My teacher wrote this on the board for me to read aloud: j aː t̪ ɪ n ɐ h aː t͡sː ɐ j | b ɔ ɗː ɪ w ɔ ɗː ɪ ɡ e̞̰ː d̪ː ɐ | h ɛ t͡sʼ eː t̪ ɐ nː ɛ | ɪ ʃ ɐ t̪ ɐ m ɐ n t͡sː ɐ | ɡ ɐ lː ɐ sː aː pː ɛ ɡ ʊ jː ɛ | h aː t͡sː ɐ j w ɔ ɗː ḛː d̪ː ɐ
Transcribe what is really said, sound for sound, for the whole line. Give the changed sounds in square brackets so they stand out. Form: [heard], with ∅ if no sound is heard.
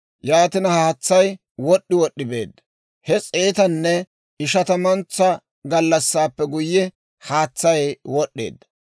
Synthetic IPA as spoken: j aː t̪ ɪ n ɐ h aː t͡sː ɐ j | [w] ɔ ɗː ɪ w ɔ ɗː ɪ [b] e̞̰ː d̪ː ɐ | h ɛ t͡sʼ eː t̪ ɐ nː ɛ | ɪ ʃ ɐ t̪ ɐ m ɐ n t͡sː ɐ | ɡ ɐ lː ɐ sː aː pː ɛ ɡ ʊ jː ɛ | h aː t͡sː ɐ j w ɔ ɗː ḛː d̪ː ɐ